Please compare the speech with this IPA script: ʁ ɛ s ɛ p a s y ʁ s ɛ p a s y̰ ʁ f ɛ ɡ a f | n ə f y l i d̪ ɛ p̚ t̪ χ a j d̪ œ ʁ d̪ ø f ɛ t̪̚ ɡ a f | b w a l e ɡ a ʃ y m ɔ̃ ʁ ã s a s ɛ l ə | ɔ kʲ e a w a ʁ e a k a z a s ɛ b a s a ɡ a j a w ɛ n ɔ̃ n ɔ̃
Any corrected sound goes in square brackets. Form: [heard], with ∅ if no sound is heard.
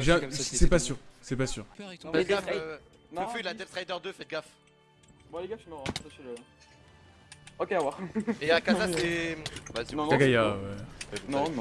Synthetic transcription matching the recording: [ʒ] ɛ s ɛ p a s y ʁ s ɛ p a s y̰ ʁ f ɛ ɡ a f | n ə f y l [a] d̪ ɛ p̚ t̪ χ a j d̪ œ ʁ d̪ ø f ɛ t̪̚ ɡ a f | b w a l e ɡ a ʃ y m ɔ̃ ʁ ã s a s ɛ l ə | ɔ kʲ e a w a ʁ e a k a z a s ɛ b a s a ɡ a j a w ɛ n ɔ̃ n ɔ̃

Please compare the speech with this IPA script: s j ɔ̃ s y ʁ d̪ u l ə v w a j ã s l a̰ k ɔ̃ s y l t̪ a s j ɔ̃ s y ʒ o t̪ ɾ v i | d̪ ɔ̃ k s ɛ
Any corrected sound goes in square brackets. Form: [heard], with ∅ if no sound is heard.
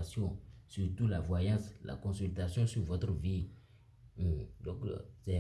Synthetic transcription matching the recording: s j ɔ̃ s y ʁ [t̪] u l [a] v w a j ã s l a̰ k ɔ̃ s y l t̪ a s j ɔ̃ s y [v] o t̪ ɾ v i | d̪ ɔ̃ k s ɛ

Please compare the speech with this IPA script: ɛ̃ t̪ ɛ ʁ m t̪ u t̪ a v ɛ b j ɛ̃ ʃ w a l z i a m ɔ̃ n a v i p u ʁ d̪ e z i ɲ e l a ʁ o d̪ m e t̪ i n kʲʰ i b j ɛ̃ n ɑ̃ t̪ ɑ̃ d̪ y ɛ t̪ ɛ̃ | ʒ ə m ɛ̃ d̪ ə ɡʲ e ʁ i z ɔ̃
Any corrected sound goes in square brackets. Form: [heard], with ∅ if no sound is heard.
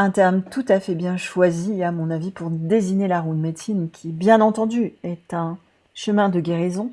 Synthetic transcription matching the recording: ɛ̃ t̪ ɛ ʁ m t̪ u t̪ a [f] ɛ b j ɛ̃ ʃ w a [∅] z i a m ɔ̃ n a v i p u ʁ d̪ e z i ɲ e l a ʁ [u] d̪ m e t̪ i n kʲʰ i b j ɛ̃ n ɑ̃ t̪ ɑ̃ d̪ y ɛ t̪ ɛ̃ | [ʃ] ə m ɛ̃ d̪ ə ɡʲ e ʁ i z ɔ̃

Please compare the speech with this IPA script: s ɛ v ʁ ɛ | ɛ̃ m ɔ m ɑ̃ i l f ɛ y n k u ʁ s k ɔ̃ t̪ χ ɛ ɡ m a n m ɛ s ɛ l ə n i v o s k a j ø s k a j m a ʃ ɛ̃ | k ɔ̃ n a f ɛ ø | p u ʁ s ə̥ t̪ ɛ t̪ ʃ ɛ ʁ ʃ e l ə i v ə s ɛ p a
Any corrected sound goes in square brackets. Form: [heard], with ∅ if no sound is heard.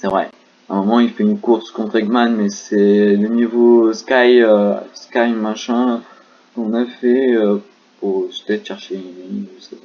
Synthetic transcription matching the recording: s ɛ v ʁ ɛ | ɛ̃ m ɔ m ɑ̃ i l f ɛ y n k u ʁ s k ɔ̃ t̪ χ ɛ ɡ m a n m ɛ s ɛ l ə n i v o s k a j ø s k a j m a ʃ ɛ̃ | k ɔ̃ n a f ɛ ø | p u ʁ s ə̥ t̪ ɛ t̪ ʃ ɛ ʁ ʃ e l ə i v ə s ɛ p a

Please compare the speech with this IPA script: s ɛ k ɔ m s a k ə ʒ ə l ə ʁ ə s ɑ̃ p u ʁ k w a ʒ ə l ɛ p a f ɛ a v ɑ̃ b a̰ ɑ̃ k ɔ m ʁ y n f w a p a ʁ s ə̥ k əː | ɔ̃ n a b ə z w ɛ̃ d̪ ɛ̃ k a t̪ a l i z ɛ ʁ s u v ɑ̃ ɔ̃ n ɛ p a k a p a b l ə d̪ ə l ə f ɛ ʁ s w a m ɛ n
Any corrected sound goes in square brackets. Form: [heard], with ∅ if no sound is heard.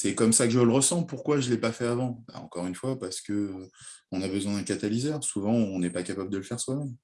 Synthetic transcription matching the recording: s ɛ k ɔ m s a k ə ʒ ə l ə ʁ ə s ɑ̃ p u ʁ k w a ʒ ə l ɛ p a f ɛ a v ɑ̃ b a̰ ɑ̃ k ɔ [∅] ʁ y n f w a p a ʁ s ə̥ k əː | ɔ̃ n a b ə z w ɛ̃ d̪ ɛ̃ k a t̪ a l i z ɛ ʁ s u v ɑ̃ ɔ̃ n ɛ p a k a p a b l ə d̪ ə l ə f ɛ ʁ s w a m ɛ [m]

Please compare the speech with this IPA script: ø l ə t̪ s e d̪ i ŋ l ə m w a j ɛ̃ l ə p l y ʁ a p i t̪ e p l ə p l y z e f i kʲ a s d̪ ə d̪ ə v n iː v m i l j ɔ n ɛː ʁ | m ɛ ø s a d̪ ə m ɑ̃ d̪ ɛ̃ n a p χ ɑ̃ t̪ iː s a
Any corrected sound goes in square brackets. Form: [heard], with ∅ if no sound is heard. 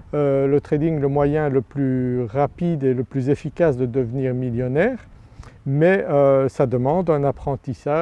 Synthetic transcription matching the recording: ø l ə t̪ [χ] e d̪ i ŋ l ə m w a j ɛ̃ l ə p l y ʁ a p i [d̪] e [∅] l ə p l y z e f i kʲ a s d̪ ə d̪ ə v n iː [ʁ] m i l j ɔ n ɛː ʁ | m ɛ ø s a d̪ ə m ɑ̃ d̪ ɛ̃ n a p χ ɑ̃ t̪ [i] s a

